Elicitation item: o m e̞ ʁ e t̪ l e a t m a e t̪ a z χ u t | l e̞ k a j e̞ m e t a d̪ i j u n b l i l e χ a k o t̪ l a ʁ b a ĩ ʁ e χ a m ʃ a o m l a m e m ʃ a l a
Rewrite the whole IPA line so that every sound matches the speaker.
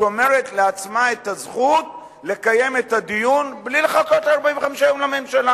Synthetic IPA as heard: o m e̞ ʁ e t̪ l e a t͡s m a e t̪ a z χ u t | l e̞ k a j e̞ m e t a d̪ i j u n b l i l e χ a k o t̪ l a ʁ b a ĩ v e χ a m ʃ a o m l a m e m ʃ a l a